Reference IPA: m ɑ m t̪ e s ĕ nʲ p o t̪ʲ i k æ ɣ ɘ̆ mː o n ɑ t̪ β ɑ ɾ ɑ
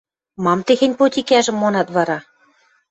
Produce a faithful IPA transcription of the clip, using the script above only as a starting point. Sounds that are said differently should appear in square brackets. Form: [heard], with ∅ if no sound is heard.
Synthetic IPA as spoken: m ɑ m t̪ e [x] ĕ nʲ p o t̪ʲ i k æ [ʒ] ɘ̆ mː o n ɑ t̪ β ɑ ɾ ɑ

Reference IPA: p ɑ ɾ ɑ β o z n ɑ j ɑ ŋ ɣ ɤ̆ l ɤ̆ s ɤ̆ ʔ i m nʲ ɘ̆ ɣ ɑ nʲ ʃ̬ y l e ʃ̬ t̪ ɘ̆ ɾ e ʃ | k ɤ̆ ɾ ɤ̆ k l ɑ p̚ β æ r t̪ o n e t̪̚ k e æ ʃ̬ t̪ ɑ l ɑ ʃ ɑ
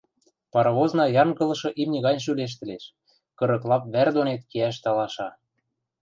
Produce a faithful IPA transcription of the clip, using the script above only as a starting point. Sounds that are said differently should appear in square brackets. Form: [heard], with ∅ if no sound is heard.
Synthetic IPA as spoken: p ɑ ɾ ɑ β o z n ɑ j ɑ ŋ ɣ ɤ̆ l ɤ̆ [ʃ] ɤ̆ ʔ i m nʲ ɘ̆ ɣ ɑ nʲ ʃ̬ y l e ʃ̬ t̪ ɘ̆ [l] e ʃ | k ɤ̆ ɾ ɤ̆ k l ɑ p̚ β æ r [d̪] o n e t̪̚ k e æ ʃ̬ t̪ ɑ l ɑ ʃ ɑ

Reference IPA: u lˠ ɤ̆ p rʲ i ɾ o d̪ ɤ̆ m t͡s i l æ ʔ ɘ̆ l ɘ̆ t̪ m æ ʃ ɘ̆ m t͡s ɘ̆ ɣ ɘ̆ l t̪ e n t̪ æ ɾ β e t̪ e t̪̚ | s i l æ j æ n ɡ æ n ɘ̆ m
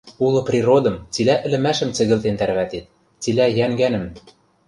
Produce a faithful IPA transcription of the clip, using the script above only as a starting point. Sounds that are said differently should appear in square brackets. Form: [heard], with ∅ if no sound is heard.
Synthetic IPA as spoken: u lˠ ɤ̆ p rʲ i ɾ o d̪ ɤ̆ m t͡s i l æ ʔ ɘ̆ l ɘ̆ [∅] m æ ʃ ɘ̆ m t͡s ɘ̆ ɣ ɘ̆ l t̪ e n t̪ æ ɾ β [æ] t̪ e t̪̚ | [t͡s] i l æ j æ [ŋ] ɡ æ n ɘ̆ m

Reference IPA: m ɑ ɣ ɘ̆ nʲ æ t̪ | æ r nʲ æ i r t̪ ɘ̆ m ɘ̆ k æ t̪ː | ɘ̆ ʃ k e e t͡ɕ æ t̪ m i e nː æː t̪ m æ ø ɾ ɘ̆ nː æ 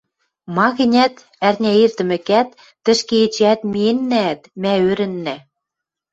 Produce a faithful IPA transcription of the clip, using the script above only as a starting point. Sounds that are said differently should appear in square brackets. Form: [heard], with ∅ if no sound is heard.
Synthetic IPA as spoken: m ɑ ɣ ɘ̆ nʲ æ t̪ | æ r nʲ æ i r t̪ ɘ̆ m ɘ̆ k æ t̪ː | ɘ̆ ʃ k e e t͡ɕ æ t̪ m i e nː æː t̪ m æ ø ɾ ɘ̆ nː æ

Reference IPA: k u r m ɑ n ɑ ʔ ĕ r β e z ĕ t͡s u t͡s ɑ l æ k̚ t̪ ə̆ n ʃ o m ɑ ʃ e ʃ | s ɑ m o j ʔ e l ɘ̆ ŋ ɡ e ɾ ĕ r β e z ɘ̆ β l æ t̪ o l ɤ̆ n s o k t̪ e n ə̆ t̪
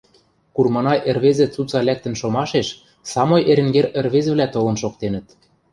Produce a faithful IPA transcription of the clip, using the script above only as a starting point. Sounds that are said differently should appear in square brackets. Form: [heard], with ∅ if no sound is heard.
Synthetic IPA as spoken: k u r m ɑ n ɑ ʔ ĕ r β e z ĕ t͡s u t͡s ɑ l æ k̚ t̪ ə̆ n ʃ o m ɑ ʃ e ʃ | s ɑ m o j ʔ e [ɾ] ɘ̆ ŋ ɡ e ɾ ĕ r β e z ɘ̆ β l æ t̪ o l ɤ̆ n [ʃ] o k t̪ e n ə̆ t̪

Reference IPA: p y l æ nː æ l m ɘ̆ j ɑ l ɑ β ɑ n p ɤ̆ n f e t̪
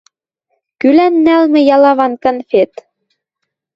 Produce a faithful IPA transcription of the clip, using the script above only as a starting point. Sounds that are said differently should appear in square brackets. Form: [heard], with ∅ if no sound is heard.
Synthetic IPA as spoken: [k] y l æ nː æ l m ɘ̆ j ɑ l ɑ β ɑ n [k] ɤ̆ n f e t̪

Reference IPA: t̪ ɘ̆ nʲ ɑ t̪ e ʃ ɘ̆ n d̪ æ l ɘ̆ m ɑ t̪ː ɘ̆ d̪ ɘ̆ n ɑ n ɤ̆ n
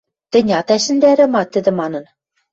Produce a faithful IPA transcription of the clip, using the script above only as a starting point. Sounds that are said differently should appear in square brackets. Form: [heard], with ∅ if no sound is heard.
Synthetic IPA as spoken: t̪ ɘ̆ nʲ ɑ t̪ [æ] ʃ ɘ̆ n d̪ æ [ɾ] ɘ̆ m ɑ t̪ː ɘ̆ d̪ ɘ̆ [m] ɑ n ɤ̆ n

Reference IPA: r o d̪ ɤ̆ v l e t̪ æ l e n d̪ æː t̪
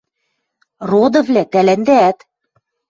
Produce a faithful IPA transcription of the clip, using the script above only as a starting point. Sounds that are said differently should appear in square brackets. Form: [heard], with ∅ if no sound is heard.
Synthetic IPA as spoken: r o d̪ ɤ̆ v l [æ] t̪ æ l [æ] n d̪ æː t̪

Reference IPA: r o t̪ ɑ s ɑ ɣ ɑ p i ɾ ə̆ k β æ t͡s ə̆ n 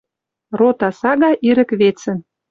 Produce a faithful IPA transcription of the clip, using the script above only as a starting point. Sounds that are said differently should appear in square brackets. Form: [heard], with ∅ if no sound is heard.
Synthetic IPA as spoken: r o t̪ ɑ s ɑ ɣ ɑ [ʔ] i ɾ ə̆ k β [e] t͡s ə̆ n

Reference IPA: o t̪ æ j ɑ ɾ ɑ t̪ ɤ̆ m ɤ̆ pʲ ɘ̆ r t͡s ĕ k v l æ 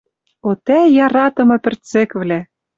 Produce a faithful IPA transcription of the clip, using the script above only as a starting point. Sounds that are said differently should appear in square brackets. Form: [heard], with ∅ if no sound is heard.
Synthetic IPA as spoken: o t̪ æ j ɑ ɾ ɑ t̪ ɤ̆ m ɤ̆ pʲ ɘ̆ r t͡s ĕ k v l æ

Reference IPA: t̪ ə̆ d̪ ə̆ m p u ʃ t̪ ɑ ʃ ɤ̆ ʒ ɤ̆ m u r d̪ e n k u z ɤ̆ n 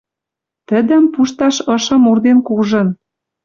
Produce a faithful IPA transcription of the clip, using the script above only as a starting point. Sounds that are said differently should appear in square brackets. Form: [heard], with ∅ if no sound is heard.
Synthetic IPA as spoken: t̪ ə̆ d̪ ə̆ m p u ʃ t̪ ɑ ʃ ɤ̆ [ʃ] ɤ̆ m u r d̪ e n k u [ʒ] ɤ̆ n

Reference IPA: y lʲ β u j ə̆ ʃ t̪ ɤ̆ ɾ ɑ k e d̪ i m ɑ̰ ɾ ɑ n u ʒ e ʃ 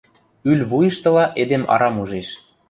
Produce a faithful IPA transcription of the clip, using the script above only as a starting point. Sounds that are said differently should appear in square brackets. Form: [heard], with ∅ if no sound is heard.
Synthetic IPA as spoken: y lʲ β u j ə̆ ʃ t̪ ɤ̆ [l] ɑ [ʔ] e d̪ [e] m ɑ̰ ɾ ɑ [m] u ʒ e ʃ

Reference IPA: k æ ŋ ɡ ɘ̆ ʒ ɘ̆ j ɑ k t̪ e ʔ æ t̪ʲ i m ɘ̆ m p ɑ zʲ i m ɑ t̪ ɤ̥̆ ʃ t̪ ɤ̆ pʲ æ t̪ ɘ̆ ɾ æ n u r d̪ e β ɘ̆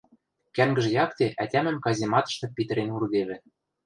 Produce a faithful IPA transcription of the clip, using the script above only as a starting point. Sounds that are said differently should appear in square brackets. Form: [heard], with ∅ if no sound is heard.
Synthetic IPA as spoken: k æ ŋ ɡ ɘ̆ ʒ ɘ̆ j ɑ k t̪ e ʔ æ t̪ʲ [æ] m ɘ̆ m [k] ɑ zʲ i m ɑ t̪ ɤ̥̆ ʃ t̪ ɤ̆ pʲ [i] t̪ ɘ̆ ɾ [e] n u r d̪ e β ɘ̆

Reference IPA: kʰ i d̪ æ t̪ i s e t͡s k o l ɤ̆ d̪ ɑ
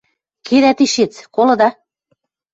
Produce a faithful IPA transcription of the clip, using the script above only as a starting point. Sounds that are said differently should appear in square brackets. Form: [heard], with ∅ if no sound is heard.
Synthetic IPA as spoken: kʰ [e] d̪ æ t̪ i [ʃ] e t͡s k o l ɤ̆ d̪ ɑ

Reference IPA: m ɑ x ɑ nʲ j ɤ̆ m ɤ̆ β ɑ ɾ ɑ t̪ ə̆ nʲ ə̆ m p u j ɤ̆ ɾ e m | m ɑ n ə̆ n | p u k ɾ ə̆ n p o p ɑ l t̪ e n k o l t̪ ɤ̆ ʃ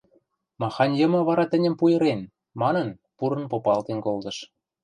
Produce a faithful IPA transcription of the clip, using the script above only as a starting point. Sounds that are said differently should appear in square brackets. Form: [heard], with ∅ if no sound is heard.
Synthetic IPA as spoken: m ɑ x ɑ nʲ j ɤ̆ m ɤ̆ β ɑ ɾ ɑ t̪ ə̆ nʲ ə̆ m p u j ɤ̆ ɾ e [n] | m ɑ n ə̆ n | p u [∅] ɾ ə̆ n p o p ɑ l t̪ e n k o l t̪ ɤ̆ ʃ

